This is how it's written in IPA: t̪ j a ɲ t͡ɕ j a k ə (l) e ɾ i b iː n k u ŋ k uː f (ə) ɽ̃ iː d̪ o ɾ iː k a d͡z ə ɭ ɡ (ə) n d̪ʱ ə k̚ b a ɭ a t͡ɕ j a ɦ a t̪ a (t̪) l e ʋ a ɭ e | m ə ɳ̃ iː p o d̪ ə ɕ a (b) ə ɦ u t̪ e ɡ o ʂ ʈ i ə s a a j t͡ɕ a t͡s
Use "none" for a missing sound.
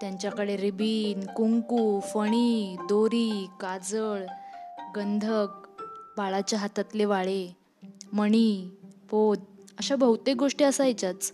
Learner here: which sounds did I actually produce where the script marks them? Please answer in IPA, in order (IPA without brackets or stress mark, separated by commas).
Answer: ɽ, ə, ə, t̪, b